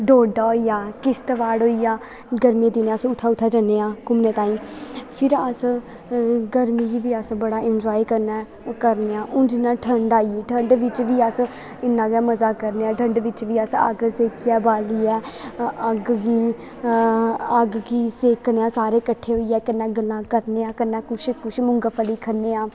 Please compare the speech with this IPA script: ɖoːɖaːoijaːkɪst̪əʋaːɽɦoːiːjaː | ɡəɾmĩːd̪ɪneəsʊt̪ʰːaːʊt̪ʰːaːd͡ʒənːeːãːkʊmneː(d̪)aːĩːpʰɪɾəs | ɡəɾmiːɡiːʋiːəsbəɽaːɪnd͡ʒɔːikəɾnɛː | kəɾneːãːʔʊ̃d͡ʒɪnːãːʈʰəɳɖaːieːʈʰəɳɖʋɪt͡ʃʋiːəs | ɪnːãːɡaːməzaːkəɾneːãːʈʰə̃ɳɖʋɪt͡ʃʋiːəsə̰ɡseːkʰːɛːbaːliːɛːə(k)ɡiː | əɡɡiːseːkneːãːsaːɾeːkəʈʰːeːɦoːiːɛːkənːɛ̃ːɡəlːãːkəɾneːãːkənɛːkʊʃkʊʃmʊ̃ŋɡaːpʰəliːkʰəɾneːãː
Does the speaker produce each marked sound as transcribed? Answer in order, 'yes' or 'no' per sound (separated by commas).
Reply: no, no